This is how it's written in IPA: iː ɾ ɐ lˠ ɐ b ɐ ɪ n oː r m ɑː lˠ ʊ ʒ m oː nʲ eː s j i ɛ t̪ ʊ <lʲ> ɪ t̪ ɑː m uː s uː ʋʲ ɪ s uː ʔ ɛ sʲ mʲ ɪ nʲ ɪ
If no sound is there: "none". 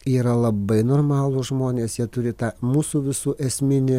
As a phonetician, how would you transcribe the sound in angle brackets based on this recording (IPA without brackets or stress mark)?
ɾʲ